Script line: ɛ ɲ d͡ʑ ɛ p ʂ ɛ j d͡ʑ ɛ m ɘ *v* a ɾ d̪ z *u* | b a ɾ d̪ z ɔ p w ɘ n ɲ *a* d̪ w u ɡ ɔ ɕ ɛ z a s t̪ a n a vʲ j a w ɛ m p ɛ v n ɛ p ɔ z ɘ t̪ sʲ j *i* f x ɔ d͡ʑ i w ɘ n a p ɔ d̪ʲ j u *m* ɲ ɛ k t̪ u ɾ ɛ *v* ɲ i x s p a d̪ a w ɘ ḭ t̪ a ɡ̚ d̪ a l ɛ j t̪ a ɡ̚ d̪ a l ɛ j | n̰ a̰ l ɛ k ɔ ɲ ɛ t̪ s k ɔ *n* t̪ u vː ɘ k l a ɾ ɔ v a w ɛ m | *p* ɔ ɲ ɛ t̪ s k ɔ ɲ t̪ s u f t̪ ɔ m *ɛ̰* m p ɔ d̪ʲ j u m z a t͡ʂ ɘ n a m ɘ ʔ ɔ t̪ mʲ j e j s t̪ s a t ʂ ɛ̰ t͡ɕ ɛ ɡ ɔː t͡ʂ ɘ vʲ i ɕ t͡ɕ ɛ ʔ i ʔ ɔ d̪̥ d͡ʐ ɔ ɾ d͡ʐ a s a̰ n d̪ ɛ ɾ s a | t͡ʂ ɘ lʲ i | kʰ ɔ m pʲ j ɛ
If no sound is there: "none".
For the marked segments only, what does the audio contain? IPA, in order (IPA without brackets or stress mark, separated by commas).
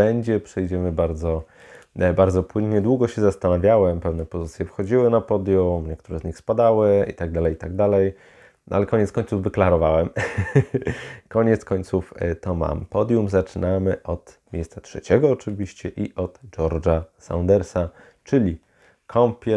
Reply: b, ɔ, ɛ, ɛ, m, z, ɲ, k, a̰